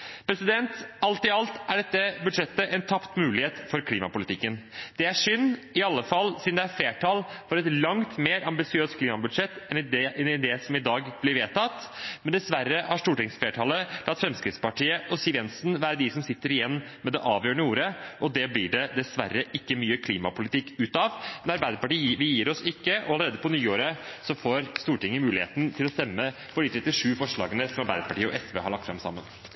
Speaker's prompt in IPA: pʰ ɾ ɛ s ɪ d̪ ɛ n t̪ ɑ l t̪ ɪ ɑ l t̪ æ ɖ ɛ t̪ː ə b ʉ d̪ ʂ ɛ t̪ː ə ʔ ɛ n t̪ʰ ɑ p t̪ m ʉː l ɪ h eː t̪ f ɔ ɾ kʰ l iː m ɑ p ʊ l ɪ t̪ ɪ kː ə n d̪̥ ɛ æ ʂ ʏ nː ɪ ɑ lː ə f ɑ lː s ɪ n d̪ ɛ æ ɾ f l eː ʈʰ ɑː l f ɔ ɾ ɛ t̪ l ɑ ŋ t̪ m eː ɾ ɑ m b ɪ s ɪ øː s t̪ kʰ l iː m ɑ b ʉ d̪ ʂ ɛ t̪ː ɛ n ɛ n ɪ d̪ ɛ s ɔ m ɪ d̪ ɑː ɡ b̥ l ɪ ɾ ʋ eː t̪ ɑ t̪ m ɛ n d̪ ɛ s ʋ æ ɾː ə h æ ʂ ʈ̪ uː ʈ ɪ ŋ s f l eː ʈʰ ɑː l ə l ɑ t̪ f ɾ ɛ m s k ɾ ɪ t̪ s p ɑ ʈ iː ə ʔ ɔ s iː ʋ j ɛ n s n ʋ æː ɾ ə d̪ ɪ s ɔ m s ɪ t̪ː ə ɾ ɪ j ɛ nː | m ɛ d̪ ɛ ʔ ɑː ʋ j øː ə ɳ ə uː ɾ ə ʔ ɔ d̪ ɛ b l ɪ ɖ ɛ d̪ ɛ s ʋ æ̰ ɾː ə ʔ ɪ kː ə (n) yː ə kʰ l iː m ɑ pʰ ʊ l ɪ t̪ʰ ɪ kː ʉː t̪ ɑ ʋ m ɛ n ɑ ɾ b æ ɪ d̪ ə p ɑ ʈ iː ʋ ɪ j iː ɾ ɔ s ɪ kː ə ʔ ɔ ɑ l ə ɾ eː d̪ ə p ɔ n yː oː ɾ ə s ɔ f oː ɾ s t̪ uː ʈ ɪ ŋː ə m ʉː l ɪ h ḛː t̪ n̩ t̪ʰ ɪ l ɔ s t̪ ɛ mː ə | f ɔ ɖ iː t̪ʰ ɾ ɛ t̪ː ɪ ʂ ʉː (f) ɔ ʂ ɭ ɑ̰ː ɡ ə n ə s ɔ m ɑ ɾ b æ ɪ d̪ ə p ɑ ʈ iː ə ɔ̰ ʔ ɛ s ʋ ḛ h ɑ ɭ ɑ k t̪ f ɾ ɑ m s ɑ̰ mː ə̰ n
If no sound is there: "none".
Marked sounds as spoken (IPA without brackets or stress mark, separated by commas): m, f